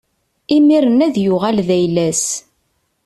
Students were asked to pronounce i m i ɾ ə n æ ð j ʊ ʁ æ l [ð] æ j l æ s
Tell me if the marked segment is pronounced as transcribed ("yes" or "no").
yes